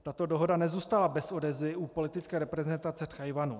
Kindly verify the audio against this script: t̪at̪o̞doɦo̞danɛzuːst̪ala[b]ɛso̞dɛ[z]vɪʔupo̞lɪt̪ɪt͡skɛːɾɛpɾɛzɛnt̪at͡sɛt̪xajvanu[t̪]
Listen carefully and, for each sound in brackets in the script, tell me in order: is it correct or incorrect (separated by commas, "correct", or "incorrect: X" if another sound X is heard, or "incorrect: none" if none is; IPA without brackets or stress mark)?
correct, correct, incorrect: none